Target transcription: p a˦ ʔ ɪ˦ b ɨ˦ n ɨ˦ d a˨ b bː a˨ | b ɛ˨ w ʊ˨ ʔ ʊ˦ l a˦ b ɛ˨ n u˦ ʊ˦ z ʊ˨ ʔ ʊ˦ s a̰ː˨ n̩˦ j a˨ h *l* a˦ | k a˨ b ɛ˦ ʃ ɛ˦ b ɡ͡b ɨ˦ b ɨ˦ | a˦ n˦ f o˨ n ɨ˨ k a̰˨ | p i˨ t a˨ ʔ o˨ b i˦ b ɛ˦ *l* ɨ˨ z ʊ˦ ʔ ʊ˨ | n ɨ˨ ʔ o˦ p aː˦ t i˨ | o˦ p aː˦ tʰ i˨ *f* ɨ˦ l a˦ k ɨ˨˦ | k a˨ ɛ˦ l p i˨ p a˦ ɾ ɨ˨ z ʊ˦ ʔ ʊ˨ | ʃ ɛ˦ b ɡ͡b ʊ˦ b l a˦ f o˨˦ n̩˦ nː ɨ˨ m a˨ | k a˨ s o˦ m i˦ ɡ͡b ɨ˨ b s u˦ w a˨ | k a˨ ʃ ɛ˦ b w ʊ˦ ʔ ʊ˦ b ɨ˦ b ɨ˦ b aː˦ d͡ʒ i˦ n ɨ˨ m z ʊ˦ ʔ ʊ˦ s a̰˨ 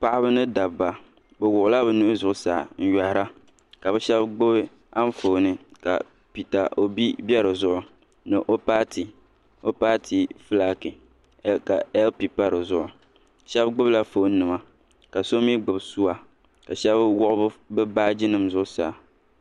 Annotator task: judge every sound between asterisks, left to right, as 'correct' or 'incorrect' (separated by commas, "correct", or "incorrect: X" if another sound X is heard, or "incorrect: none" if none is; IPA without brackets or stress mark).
incorrect: ɾ, incorrect: ɾ, correct